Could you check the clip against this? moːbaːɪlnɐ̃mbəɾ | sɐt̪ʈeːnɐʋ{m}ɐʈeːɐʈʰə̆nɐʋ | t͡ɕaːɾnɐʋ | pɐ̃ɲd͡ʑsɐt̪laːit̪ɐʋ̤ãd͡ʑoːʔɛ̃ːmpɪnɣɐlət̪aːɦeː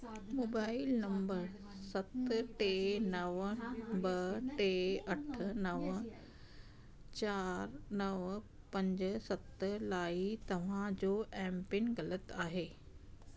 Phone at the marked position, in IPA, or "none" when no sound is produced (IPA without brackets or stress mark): b